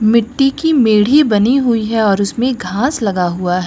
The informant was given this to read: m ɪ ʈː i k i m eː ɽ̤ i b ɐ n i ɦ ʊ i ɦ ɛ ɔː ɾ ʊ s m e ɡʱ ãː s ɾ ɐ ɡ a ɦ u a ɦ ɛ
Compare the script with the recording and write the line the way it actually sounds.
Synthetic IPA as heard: m ɪ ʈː i k i m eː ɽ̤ i b ɐ n i ɦ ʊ i ɦ ɛ ɔː ɾ ʊ s m ẽ ɡʱ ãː s l ɐ ɡ a ɦ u a ɦ ɛ